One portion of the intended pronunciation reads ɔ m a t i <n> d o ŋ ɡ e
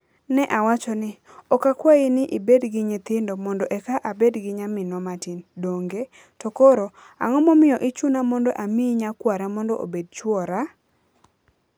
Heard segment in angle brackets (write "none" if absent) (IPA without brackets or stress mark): n